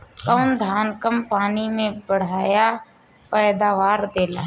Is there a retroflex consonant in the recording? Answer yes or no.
yes